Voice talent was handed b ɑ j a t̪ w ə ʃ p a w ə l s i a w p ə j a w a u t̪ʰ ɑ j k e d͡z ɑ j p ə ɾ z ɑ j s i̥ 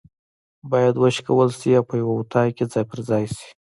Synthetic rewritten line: b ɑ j a d̪ w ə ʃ k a w ə l s i a w p ə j a w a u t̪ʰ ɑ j k e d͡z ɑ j p ə ɾ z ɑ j s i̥